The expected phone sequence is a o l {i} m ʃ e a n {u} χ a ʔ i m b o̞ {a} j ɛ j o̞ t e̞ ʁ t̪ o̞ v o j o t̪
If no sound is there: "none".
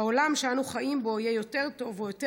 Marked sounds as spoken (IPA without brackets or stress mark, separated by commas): a, u, i